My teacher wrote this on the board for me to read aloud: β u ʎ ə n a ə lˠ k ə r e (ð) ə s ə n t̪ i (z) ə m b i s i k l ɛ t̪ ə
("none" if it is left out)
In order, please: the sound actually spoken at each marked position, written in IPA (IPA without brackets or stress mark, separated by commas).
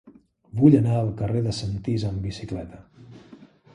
ð, z